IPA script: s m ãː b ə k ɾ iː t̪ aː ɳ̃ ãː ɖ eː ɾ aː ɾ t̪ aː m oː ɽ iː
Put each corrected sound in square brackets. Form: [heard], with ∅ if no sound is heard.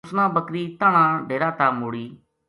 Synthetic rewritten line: s [n] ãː b ə k ɾ iː t̪ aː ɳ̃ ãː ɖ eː ɾ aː [∅] t̪ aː m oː ɽ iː

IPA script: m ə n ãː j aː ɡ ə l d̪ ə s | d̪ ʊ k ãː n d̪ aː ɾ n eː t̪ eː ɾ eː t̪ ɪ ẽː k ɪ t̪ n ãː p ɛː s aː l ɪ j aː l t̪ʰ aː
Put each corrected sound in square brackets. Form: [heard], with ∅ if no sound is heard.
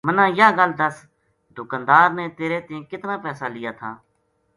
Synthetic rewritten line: m ə n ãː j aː ɡ ə l d̪ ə s | d̪ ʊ k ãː n d̪ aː ɾ n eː t̪ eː ɾ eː t̪ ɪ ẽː k ɪ t̪ n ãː p ɛː s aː l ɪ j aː [∅] t̪ʰ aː

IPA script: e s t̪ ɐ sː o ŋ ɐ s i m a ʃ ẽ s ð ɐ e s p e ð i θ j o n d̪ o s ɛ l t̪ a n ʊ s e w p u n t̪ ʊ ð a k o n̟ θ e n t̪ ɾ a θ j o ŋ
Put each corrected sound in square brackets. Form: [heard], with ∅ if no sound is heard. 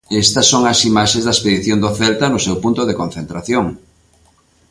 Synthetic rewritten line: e s t̪ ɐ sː o ŋ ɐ s i m a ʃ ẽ [z] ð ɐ e s p e ð i θ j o n d̪ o [θ] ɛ l t̪ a n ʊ s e w p u n t̪ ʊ ð [e] k o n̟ θ e n t̪ ɾ a θ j o ŋ

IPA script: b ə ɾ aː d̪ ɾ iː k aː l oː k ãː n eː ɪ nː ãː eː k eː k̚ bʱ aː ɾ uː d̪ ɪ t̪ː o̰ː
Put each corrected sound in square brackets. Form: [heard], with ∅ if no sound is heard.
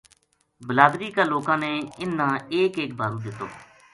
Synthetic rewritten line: b ə [l] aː d̪ ɾ iː k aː l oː k ãː n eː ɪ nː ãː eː k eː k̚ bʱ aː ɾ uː d̪ ɪ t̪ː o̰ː

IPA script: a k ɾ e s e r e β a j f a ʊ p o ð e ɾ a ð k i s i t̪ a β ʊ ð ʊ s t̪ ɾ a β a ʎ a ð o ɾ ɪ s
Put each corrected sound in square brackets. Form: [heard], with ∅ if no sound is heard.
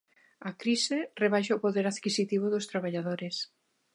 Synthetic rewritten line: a k ɾ [i] s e r e β a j [ʃ] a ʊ p o ð e ɾ a ð k i s i t̪ [i] β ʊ ð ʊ s t̪ ɾ a β a ʎ a ð o ɾ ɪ s

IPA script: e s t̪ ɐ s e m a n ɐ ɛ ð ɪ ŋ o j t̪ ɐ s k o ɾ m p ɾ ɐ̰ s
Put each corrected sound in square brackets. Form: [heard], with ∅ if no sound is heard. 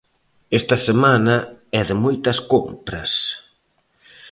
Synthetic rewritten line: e s t̪ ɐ s e m a n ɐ ɛ ð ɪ [m] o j t̪ ɐ s k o [∅] m p ɾ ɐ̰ s

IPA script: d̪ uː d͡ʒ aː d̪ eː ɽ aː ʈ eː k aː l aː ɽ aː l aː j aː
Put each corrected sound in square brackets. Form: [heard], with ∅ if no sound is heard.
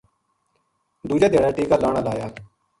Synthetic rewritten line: d̪ uː d͡ʒ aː d̪ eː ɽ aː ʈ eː k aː l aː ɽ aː l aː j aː

